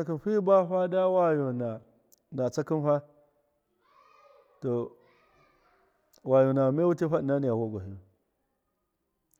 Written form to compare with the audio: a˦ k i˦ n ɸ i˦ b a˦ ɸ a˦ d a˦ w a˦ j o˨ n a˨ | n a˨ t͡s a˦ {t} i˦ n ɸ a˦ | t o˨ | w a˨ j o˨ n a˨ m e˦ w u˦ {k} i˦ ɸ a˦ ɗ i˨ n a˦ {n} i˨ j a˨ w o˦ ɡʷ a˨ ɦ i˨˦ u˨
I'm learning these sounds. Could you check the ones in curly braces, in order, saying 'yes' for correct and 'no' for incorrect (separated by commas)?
no, no, yes